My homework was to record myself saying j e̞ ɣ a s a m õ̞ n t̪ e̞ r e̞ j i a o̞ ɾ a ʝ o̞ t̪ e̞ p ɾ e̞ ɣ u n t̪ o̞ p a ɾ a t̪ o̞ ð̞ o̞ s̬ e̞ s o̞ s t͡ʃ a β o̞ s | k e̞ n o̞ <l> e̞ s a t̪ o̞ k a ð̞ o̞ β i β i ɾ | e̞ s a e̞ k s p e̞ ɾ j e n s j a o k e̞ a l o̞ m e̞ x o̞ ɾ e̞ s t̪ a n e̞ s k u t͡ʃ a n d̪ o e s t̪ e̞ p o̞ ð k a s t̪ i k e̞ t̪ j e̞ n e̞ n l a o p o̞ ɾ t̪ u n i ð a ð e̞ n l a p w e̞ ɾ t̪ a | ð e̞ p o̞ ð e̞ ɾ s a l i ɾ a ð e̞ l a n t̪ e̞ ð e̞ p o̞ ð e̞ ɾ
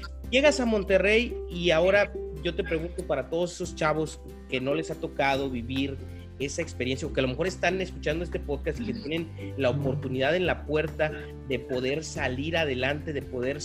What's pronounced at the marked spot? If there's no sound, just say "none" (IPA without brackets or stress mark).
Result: l